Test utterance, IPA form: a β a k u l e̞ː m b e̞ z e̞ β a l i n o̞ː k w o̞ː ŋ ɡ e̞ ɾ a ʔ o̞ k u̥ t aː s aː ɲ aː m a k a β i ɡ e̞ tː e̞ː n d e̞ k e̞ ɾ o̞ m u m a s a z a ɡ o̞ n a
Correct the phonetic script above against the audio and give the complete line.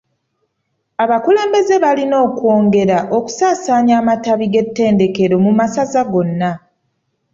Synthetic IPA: a β a k u l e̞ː m b e̞ z e̞ β a l i n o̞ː k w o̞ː ŋ ɡ e̞ ɾ a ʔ o̞ k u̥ s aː s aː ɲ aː m a t a β i ɡ e̞ tː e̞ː n d e̞ k e̞ ɾ o̞ m u m a s a z a ɡ o̞ nː a